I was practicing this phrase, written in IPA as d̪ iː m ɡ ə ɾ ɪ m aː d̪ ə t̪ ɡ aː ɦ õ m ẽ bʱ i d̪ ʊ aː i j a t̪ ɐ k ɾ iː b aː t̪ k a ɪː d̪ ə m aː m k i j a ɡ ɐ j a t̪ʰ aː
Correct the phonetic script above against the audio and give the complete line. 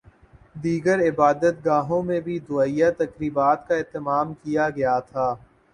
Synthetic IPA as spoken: d̪ iː ɡ ə ɾ ɪ b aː d̪ ə t̪ ɡ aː ɦ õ m ẽ bʱ i d̪ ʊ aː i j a t̪ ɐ k ɾ iː b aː t̪ k a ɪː t̪ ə m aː m k i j a ɡ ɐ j a t̪ʰ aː